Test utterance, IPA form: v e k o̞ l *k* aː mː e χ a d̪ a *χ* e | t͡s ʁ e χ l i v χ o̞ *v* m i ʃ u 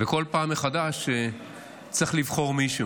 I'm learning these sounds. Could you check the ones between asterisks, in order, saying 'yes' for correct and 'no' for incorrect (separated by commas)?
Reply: no, no, no